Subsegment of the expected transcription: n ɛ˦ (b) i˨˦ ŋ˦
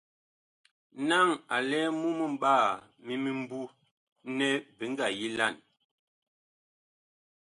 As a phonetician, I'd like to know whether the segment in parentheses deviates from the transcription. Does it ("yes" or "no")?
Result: no